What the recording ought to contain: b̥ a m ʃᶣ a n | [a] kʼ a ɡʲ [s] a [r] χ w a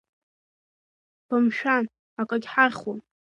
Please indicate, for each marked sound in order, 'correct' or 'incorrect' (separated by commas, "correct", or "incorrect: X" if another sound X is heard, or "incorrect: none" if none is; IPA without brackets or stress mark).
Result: correct, incorrect: ħ, correct